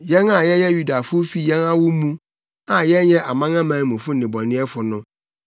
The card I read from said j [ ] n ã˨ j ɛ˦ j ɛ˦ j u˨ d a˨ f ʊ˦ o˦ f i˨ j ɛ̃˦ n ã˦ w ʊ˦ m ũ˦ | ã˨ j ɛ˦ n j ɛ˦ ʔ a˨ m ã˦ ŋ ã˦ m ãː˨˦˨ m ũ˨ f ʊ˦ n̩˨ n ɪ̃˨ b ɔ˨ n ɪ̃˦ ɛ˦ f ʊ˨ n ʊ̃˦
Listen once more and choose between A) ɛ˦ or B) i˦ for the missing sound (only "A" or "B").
A